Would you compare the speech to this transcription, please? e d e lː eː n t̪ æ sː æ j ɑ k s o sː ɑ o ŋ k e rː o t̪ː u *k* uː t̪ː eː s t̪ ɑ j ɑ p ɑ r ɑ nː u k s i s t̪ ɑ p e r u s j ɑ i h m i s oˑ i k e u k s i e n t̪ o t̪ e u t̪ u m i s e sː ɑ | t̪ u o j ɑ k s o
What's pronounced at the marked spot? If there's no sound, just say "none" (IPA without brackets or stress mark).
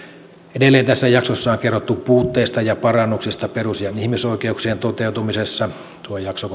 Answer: p